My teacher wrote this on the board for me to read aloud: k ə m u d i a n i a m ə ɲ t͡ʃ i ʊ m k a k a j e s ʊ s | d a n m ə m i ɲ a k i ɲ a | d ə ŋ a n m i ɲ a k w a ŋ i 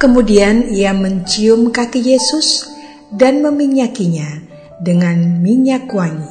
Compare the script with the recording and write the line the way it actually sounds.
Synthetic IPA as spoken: k ə m u d i a n i a m ə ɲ t͡ʃ i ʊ m k a k i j e s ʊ s | d a n m ə m i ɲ a k i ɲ a | d ə ŋ a n m i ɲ a k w a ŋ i